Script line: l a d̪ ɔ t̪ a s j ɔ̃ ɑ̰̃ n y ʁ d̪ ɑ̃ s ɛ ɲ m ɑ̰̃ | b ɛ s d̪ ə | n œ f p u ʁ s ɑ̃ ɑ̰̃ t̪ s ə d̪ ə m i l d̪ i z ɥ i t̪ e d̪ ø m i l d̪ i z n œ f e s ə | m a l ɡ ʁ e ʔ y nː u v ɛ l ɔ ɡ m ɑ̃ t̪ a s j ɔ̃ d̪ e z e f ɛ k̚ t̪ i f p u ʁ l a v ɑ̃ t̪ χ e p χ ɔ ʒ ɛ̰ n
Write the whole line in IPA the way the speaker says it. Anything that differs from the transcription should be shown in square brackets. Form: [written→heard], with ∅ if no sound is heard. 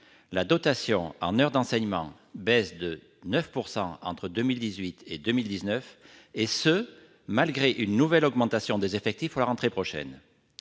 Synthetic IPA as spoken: l a d̪ ɔ t̪ a s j ɔ̃ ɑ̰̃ n [y→œ] ʁ d̪ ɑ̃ s ɛ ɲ m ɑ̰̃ | b ɛ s d̪ ə | n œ f p u ʁ s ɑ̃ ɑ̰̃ t̪ [s→χ] ə d̪ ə m i l d̪ i z ɥ i t̪ e d̪ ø m i l d̪ i z n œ f e s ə | m a l ɡ ʁ e ʔ y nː u v ɛ l ɔ ɡ m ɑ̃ t̪ a s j ɔ̃ d̪ e z e f ɛ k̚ t̪ i f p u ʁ l a [v→ʁ] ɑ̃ t̪ χ e p χ ɔ [ʒ→ʃ] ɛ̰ n